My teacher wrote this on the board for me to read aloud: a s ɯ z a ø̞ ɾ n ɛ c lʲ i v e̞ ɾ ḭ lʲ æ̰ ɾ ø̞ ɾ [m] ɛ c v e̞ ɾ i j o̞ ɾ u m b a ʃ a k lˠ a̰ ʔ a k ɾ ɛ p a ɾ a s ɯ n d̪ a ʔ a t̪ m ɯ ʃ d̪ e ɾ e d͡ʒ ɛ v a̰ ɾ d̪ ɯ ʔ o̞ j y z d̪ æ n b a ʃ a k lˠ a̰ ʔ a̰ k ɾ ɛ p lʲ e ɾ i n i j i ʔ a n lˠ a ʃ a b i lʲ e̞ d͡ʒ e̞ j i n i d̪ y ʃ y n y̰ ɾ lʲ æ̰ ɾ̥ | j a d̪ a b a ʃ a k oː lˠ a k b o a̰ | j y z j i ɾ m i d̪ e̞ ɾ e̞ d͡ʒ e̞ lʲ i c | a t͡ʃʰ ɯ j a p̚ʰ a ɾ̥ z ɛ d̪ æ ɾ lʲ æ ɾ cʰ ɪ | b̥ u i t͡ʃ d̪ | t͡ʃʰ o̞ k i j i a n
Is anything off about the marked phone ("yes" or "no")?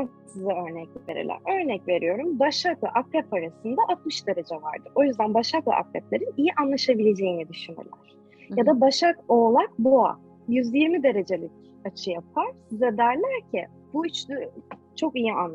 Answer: yes